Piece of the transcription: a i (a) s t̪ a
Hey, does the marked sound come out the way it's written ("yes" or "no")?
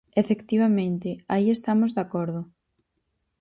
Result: no